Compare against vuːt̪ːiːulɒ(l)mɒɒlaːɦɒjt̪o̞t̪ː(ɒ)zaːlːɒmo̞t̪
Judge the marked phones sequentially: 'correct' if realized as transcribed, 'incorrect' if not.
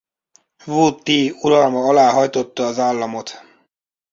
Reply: correct, incorrect: ɒː

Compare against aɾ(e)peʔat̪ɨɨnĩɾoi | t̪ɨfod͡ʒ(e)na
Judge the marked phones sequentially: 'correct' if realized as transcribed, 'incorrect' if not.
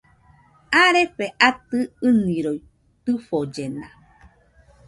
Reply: correct, correct

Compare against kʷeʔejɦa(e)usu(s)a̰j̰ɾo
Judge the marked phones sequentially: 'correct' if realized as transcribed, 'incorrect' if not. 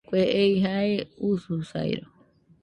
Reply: correct, correct

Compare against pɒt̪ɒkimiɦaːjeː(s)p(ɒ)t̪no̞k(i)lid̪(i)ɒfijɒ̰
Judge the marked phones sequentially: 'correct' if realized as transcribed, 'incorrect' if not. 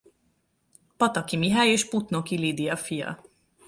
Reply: incorrect: ʃ, incorrect: u, correct, correct

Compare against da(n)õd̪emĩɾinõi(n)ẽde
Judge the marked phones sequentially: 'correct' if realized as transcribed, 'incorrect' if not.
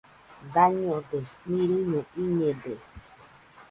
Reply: incorrect: ɲ, incorrect: ɲ

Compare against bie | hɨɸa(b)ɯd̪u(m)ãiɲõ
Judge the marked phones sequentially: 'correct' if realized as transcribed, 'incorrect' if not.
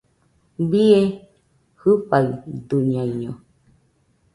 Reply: incorrect: none, incorrect: ɲ

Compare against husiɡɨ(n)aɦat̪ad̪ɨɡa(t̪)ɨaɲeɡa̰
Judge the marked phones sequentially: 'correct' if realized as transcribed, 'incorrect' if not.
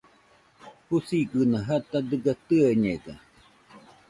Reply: correct, correct

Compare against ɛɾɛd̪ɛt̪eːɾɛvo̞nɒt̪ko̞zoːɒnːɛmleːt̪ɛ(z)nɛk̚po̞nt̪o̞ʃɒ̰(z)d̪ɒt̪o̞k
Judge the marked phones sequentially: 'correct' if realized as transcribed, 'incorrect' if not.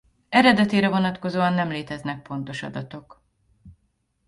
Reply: correct, incorrect: none

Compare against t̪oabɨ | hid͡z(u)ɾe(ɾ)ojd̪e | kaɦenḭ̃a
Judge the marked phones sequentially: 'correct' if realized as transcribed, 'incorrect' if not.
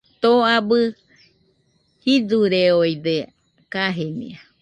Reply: correct, incorrect: none

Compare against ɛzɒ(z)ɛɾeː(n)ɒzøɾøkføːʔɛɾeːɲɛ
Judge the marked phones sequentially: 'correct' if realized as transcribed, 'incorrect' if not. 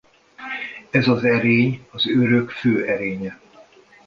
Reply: correct, incorrect: ɲ

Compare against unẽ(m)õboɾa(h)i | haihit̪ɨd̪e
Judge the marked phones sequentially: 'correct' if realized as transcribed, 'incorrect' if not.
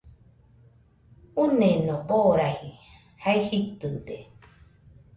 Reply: incorrect: n, correct

